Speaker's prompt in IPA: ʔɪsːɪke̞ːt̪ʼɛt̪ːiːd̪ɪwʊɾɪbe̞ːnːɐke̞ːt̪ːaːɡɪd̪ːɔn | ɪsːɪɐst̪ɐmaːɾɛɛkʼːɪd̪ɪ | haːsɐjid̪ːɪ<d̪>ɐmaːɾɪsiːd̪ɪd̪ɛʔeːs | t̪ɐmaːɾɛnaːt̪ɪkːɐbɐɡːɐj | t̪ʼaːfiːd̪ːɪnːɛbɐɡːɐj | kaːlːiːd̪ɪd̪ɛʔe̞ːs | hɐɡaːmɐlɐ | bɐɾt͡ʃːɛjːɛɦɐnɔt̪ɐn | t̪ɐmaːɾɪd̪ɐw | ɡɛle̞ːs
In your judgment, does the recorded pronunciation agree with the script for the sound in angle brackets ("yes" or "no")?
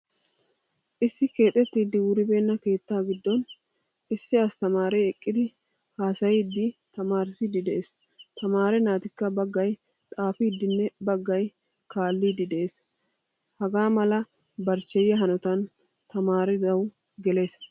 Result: no